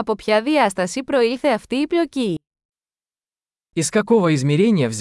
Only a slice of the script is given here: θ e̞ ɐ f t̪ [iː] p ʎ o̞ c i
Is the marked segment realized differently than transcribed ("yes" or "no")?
no